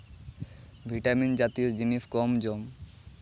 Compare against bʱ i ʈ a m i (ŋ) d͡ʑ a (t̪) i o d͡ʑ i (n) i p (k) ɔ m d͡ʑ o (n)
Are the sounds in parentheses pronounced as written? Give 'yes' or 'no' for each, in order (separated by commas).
no, yes, yes, yes, no